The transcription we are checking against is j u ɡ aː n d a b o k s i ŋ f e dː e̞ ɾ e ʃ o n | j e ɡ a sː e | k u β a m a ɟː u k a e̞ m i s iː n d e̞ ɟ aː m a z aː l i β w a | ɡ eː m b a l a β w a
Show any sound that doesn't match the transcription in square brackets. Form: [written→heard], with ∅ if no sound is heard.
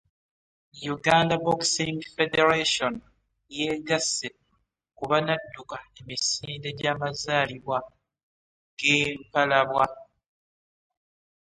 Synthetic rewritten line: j u ɡ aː n d a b o k s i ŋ f e [dː→d] e̞ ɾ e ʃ o n | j e ɡ a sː e | k u β a [m→n] a [ɟː→dː] u k a e̞ m i s iː n d e̞ ɟ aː m a z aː l i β w a | ɡ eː m [b→p] a l a β w a